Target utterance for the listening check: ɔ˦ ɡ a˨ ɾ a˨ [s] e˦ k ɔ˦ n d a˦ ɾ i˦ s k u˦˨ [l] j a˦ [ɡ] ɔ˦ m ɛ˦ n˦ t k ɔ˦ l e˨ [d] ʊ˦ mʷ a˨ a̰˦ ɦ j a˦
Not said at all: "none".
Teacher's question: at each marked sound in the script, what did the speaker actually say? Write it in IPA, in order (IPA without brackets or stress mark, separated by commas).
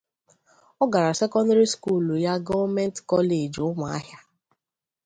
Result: s, l, ɡ, d͡ʒ